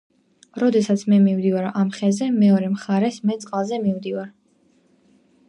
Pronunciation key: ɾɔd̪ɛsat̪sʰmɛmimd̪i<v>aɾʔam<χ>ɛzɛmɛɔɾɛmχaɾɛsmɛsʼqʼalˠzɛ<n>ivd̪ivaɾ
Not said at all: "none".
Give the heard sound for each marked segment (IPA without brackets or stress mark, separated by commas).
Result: v, χ, m